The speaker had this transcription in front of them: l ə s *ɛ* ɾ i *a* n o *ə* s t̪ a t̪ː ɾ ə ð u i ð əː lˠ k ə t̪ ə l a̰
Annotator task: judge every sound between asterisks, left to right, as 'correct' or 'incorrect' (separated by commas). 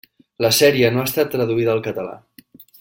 correct, incorrect, incorrect